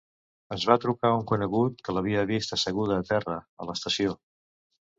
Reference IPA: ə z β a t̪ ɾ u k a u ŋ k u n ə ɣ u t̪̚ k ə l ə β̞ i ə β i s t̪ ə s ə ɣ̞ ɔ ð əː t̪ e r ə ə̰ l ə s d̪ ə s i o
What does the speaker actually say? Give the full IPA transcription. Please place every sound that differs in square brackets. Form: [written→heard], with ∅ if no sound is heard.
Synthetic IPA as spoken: ə z β a t̪ ɾ u k a u ŋ k u n ə ɣ u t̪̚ k ə l ə β̞ i ə β i s t̪ ə s ə ɣ̞ [ɔ→u] ð əː t̪ [e→ɛ] r ə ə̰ l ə s [d̪→t̪] ə s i o

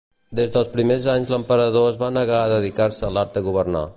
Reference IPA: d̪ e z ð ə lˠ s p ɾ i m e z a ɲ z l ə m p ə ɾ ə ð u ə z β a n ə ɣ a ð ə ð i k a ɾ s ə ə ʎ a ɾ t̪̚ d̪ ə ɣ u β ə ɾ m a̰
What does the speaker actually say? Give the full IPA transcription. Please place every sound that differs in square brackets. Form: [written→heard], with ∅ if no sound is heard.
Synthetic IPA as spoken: d̪ e z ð ə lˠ s p ɾ i m e z a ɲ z l ə m p ə ɾ ə ð [u→o] ə z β a n ə ɣ a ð ə ð i k a ɾ s ə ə [ʎ→l] a ɾ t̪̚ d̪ ə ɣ u β ə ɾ [m→n] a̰

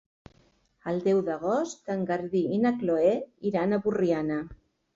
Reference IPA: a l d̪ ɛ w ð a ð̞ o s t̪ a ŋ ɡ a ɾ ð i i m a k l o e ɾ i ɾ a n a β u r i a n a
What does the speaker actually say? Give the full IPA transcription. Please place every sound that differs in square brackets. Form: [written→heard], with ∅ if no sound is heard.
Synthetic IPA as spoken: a l d̪ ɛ w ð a [ð̞→ɣ̞] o s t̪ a ŋ ɡ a ɾ ð i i [m→n] a k l o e [ɾ→∅] i ɾ a n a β u r i a n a

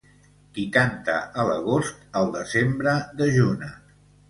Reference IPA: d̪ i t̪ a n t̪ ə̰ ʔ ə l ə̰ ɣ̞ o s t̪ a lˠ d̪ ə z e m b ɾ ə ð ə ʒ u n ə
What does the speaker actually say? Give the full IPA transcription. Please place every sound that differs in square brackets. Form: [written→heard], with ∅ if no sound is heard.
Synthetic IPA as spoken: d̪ i t̪ a n t̪ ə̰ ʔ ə l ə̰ ɣ̞ o s t̪ [a→ə] lˠ d̪ ə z e m b ɾ ə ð ə ʒ u n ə

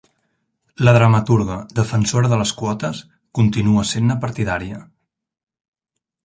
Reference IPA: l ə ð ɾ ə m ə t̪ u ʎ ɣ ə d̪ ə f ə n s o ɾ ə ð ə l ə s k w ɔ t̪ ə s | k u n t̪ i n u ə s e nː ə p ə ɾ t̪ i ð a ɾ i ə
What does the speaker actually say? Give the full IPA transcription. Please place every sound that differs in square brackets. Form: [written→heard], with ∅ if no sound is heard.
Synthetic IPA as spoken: l ə ð ɾ ə m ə t̪ u [ʎ→ɾ] ɣ ə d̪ ə f ə n s o ɾ ə ð ə l ə s k w ɔ t̪ ə s | k u n t̪ i n u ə s e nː ə p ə ɾ t̪ i ð a ɾ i ə

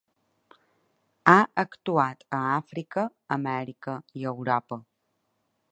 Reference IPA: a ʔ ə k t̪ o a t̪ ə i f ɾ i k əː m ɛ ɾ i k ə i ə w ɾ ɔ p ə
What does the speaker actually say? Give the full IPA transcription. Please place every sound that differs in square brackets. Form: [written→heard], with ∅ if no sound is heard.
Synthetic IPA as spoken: a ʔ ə k t̪ [o→u] a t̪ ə [i→a] f ɾ i k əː m ɛ ɾ i k ə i ə w ɾ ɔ p ə

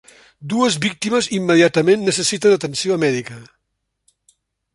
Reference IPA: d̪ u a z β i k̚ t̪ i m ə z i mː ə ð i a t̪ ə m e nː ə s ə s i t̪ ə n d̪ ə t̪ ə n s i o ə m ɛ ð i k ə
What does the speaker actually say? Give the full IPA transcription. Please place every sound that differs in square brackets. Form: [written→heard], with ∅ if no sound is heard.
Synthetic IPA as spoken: d̪ u [a→ə] z β i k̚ t̪ i m ə z i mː ə ð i a t̪ ə m e nː ə s ə s i t̪ ə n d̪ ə t̪ ə n s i o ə m ɛ ð i k ə

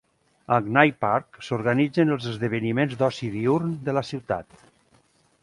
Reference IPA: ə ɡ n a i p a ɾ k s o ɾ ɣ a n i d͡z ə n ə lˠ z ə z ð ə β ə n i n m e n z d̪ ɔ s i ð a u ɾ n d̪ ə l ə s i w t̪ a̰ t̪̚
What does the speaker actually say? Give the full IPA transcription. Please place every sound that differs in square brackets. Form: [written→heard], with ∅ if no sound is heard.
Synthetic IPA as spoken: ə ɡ n a [i→j] p a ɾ k s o ɾ ɣ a n i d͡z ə n ə lˠ z ə z ð ə β ə n i [n→∅] m e n z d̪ ɔ s i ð [a→i] u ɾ n d̪ ə l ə s i w t̪ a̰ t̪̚

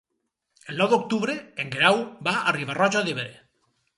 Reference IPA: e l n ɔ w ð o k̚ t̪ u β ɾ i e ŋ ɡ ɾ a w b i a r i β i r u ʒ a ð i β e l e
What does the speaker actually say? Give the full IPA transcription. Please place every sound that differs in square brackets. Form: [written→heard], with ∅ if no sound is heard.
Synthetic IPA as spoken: e l n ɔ w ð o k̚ t̪ u β ɾ [i→e] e ŋ ɡ ɾ a w b [i→a] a r i β [i→a] r [u→ɔ] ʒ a ð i β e [l→ɾ] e

